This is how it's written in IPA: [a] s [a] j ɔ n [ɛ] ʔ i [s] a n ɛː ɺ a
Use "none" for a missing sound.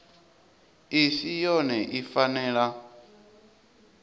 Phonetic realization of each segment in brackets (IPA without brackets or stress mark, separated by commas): i, i, ɛ, f